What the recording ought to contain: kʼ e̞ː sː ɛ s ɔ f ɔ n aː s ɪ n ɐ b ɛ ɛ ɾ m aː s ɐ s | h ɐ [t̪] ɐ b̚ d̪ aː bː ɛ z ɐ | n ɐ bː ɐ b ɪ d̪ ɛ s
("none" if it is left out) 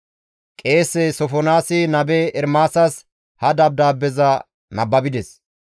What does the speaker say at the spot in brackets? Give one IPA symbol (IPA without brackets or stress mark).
d̪